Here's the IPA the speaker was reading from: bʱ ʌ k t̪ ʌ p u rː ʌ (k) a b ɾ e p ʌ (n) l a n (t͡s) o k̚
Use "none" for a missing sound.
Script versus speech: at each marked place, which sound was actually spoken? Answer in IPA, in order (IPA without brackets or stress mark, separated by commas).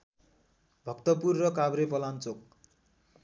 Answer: k, none, t͡s